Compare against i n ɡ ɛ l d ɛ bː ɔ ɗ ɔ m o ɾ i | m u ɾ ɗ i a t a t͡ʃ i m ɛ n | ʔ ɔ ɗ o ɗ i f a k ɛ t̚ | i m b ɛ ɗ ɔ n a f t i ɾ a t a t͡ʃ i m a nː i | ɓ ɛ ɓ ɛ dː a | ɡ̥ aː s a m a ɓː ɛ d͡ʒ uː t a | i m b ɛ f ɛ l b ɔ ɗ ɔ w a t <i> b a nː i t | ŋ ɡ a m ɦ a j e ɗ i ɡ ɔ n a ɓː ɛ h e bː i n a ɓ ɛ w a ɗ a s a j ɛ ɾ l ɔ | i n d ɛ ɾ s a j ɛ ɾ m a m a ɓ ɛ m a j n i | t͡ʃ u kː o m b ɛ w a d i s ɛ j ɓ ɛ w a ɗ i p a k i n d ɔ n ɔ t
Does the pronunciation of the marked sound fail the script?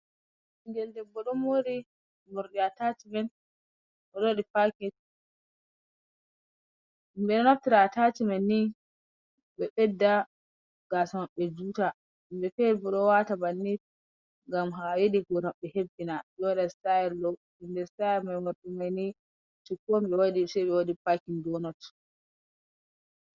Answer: yes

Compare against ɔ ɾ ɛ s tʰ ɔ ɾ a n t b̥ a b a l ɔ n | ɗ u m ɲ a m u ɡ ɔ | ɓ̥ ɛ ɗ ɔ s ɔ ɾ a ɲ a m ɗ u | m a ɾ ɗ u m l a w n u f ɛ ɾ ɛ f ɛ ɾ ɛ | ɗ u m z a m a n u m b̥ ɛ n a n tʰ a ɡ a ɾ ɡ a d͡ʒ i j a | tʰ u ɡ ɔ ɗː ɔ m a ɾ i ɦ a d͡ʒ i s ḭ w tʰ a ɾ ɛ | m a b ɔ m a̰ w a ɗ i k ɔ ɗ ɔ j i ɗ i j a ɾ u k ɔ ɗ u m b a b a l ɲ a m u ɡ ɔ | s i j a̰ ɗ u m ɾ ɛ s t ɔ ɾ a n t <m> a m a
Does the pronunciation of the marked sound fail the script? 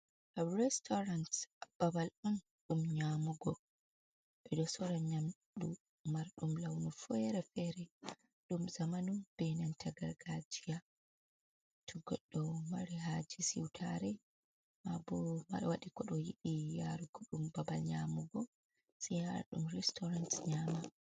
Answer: yes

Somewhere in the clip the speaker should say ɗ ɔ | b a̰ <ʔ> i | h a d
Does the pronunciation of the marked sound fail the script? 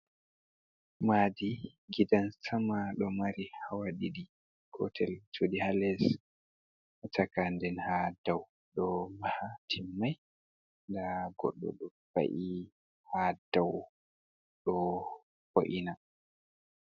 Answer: no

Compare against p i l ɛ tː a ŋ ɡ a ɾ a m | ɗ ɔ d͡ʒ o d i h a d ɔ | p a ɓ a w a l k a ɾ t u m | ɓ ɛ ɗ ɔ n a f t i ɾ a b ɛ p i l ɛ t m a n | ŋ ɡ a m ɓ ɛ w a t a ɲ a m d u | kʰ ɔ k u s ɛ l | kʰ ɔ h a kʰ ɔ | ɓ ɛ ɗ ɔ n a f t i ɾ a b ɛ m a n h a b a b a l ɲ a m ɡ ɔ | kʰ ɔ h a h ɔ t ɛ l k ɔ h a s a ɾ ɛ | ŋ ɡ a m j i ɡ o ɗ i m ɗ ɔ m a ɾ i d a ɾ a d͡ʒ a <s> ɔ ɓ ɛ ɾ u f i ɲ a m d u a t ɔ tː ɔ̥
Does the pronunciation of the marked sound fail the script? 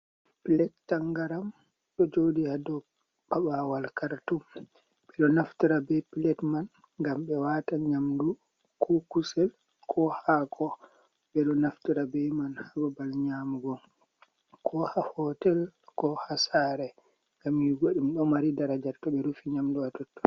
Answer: yes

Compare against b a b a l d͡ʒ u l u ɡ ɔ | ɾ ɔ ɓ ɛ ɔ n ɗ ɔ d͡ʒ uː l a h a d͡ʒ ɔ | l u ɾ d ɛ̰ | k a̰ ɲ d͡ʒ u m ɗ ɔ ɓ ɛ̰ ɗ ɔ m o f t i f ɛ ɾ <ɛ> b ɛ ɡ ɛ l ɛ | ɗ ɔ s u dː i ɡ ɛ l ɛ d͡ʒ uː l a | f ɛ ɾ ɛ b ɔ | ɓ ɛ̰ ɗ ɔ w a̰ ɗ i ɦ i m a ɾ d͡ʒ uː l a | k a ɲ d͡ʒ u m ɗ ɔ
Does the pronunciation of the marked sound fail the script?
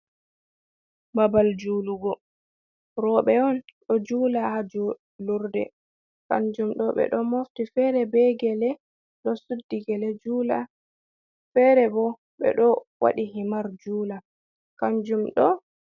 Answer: no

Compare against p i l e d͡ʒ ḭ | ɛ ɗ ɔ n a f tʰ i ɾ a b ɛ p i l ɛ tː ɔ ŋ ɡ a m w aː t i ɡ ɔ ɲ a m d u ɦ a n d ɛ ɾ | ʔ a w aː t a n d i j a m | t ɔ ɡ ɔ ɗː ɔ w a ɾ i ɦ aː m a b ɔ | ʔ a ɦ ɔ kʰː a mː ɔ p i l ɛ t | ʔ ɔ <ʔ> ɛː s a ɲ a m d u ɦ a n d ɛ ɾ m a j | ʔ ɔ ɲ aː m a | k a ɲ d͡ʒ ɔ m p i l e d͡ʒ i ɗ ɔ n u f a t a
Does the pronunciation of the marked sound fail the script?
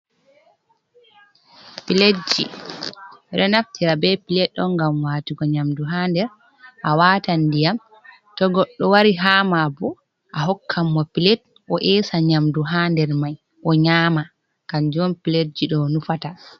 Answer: no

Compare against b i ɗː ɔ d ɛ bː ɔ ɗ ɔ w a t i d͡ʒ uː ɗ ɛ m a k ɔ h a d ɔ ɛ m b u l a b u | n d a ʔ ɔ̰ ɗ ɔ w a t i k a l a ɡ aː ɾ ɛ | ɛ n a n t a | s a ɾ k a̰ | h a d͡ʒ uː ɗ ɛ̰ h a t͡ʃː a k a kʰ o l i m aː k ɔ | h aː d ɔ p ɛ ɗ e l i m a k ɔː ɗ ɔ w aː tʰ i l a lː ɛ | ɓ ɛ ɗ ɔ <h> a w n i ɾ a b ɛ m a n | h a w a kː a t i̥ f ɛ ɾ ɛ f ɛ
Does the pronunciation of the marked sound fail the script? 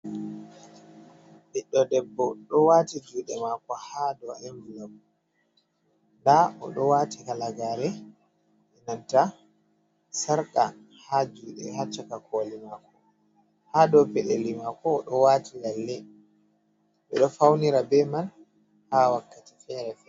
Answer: yes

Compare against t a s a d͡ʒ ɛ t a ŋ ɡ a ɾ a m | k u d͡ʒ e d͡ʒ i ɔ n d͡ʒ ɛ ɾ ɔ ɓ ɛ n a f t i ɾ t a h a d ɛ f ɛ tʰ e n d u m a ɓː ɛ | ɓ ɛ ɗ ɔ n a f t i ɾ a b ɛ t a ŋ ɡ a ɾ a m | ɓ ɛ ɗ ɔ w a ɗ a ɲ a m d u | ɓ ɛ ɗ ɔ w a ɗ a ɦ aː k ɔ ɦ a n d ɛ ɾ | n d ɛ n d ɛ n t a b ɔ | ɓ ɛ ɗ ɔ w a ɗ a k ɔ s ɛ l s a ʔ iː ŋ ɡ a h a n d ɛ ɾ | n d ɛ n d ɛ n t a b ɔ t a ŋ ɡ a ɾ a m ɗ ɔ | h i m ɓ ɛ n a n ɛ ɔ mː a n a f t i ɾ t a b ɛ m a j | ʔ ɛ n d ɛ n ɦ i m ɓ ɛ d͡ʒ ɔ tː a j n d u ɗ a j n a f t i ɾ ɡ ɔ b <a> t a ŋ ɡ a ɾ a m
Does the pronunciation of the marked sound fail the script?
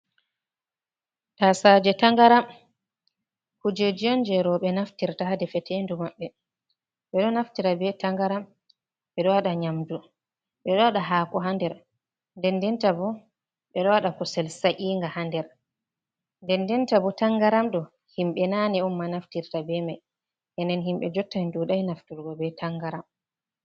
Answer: yes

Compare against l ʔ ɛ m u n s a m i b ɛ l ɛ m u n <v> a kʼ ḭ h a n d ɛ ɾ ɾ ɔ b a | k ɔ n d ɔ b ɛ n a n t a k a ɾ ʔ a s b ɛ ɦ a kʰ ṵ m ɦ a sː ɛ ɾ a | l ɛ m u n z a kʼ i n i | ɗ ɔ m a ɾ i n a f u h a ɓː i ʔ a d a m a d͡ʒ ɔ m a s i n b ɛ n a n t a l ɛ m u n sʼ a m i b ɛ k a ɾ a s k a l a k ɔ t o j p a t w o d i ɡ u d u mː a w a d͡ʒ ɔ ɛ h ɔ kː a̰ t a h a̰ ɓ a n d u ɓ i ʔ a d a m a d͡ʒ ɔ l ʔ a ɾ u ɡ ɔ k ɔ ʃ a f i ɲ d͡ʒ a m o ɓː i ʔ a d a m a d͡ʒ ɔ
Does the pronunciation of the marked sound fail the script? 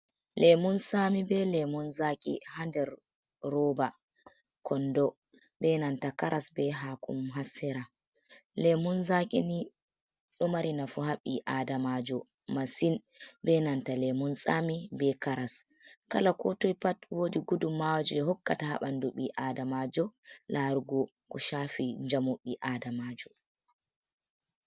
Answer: yes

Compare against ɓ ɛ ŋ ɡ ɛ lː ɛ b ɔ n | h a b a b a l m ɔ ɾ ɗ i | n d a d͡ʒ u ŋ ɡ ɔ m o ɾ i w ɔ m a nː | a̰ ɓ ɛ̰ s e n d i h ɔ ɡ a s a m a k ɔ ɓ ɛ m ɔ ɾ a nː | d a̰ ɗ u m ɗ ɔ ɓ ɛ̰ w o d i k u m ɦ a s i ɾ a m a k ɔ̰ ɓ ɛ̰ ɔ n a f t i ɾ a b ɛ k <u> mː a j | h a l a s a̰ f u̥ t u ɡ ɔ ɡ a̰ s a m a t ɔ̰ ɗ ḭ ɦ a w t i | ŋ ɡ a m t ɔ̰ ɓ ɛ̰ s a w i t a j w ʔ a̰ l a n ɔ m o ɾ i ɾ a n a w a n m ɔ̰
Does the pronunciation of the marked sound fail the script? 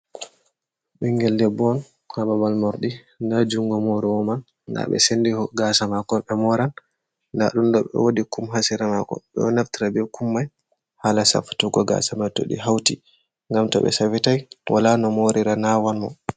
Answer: no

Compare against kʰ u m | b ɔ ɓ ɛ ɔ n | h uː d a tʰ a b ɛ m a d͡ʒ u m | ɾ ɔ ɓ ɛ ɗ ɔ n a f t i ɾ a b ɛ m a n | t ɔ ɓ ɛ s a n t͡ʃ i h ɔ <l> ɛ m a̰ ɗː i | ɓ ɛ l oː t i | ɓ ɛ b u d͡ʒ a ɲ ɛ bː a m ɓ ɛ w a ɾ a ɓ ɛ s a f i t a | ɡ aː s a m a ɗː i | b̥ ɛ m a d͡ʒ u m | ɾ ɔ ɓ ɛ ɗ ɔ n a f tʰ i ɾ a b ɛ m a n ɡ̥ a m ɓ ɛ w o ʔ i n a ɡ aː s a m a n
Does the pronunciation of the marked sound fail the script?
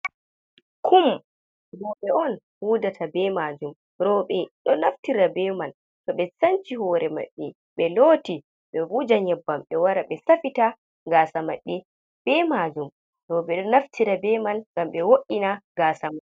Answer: yes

